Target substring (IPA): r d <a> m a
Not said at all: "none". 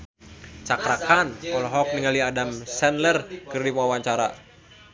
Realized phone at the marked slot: i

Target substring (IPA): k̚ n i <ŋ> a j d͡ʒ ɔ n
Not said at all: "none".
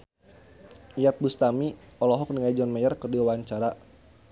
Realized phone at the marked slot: ŋ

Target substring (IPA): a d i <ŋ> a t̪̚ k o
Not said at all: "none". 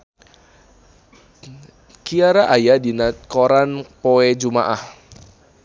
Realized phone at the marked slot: n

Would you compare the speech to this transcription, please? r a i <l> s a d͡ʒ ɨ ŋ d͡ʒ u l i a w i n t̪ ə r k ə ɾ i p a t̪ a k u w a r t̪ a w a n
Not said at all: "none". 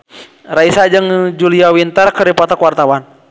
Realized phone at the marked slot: none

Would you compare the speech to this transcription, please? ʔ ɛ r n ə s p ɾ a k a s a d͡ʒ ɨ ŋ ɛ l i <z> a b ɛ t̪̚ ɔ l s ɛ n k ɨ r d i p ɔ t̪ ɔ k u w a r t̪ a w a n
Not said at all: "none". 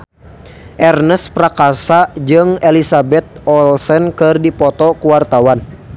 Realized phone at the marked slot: s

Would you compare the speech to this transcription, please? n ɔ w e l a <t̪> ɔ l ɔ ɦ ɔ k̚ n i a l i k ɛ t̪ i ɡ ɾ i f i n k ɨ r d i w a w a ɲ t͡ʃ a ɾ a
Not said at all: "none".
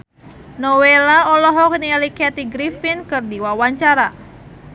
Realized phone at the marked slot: none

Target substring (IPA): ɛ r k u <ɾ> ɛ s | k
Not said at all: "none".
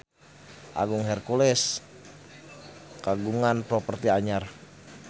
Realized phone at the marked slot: l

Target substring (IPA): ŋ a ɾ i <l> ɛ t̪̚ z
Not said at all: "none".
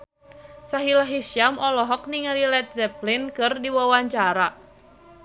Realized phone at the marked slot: l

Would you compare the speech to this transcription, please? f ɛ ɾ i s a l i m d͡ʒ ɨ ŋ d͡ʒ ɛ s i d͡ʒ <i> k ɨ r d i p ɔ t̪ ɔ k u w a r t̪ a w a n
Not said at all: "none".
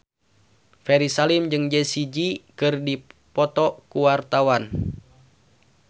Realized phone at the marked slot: i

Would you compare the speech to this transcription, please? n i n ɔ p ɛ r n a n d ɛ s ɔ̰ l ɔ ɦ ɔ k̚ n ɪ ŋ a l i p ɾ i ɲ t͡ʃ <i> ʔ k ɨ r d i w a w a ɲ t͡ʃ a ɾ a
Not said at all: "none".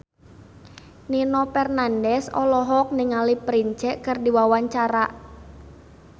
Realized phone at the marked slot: ɛ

